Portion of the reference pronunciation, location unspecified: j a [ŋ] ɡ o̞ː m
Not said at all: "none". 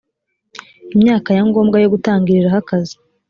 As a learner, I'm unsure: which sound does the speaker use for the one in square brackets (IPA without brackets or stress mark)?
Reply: ŋ